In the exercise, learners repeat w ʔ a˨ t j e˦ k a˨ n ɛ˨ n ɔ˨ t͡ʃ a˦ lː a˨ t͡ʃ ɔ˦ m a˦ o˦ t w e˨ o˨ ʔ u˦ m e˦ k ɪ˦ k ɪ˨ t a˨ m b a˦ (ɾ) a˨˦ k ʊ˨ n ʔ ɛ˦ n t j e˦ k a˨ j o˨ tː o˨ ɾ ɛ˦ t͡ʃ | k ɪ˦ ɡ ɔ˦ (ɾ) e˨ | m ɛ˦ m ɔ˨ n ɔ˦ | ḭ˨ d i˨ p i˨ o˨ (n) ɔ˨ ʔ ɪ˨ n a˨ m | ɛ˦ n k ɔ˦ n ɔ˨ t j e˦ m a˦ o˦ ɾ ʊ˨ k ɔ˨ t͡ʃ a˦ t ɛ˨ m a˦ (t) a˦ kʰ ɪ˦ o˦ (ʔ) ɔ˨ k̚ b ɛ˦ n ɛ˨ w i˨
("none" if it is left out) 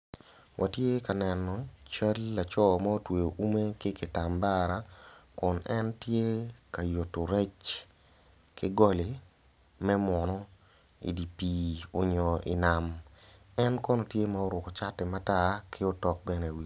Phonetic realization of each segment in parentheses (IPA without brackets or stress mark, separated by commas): ɾ, l, ɲ, t, t